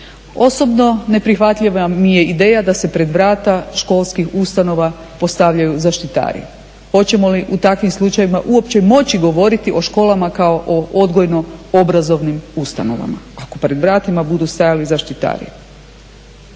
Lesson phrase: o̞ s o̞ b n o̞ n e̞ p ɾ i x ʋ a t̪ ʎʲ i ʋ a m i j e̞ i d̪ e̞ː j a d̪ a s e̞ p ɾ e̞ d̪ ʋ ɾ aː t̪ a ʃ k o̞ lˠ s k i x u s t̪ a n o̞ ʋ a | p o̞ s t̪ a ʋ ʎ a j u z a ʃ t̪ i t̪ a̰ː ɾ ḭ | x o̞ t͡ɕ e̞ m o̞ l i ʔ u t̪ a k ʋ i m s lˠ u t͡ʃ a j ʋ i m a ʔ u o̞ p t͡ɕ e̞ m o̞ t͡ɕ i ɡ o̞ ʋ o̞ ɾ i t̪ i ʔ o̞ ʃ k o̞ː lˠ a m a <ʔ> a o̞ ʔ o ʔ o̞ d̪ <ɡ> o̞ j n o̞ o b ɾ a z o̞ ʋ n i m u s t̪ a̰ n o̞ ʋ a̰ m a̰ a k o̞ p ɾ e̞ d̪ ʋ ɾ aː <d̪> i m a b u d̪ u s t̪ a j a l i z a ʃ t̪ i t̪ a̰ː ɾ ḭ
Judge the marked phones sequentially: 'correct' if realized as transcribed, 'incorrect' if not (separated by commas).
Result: incorrect, correct, incorrect